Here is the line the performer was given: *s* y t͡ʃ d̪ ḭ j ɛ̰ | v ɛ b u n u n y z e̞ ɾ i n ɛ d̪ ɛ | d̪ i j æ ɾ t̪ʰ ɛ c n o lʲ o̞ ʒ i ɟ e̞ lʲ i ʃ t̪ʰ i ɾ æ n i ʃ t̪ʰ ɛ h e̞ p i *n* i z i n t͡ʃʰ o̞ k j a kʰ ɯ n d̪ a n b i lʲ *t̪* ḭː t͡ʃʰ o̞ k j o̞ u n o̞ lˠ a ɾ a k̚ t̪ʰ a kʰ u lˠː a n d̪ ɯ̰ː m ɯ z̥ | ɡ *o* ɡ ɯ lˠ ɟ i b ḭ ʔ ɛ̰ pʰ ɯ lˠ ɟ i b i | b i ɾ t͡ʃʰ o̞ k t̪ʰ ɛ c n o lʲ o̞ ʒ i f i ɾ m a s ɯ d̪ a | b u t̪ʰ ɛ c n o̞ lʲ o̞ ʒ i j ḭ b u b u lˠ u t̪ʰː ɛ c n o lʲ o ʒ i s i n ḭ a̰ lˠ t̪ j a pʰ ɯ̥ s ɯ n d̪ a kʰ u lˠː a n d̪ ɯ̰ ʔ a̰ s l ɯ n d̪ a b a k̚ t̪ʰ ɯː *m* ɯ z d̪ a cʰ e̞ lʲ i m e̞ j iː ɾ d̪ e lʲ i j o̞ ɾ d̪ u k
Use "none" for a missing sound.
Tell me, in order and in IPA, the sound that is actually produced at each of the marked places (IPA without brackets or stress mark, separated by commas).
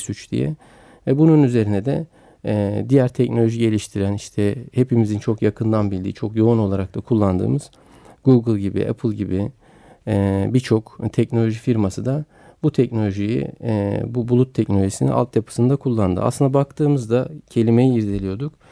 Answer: s, m, d̪, u, m